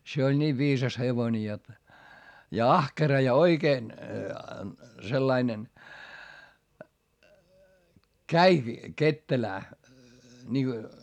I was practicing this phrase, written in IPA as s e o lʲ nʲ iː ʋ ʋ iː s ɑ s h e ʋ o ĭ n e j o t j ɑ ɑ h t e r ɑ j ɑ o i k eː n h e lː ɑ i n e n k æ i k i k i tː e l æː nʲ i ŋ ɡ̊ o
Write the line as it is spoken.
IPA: s e o lʲ nʲ iː ʋ ʋ iː s ɑ s h e ʋ o ĭ n e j o t j ɑ ɑ h k e r ɑ j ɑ o i k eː n s e lː ɑ i n e n k æ i k i k e tː e l æː nʲ i ŋ ɡ̊ o